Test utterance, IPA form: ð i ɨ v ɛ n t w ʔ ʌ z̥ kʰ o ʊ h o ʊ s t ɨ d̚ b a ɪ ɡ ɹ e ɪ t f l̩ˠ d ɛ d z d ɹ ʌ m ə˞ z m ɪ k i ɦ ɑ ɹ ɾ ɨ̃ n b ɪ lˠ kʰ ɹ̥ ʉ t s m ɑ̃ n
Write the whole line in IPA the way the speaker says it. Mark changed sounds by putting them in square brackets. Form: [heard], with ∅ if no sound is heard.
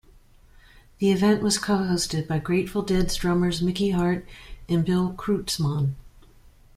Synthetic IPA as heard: ð i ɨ v [ɛ̃] n [ʔ] w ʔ ʌ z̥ kʰ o ʊ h o ʊ s t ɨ d̚ b a ɪ ɡ ɹ e ɪ t f l̩ˠ d ɛ d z d ɹ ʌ m ə˞ z m ɪ k i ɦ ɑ ɹ ɾ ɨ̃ n b ɪ lˠ kʰ ɹ̥ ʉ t s m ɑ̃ n